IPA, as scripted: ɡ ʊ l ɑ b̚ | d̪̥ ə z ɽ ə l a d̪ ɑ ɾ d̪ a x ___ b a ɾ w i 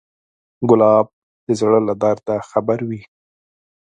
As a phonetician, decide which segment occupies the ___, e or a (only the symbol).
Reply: a